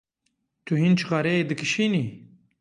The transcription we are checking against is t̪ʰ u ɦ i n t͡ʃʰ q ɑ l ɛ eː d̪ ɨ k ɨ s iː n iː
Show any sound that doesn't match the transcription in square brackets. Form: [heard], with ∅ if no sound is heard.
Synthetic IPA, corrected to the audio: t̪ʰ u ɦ i n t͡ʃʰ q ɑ [ɾ] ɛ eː d̪ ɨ k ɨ [ʃ] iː n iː